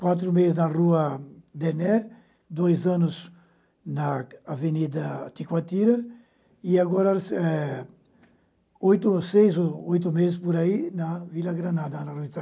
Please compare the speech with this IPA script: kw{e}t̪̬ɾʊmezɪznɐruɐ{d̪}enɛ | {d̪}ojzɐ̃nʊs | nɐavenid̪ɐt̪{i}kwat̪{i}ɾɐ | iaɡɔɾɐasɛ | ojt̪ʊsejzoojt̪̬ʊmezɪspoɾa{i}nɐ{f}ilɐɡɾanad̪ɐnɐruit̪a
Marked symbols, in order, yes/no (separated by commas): no, yes, yes, yes, yes, yes, no